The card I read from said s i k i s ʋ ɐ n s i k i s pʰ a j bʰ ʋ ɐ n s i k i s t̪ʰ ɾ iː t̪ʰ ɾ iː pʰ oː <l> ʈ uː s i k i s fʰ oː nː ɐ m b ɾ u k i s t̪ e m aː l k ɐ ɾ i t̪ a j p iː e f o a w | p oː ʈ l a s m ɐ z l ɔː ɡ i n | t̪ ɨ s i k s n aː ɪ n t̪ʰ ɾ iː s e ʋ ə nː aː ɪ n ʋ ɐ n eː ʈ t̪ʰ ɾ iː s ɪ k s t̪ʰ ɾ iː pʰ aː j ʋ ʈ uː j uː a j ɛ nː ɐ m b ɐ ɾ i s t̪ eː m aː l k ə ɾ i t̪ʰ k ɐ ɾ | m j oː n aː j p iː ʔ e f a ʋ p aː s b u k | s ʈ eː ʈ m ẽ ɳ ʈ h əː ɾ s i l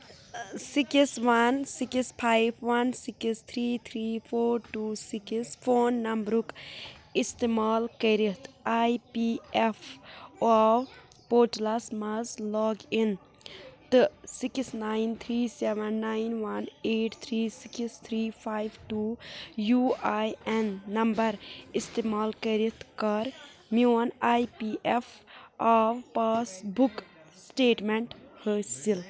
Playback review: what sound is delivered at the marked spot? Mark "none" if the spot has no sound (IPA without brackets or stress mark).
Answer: ɾ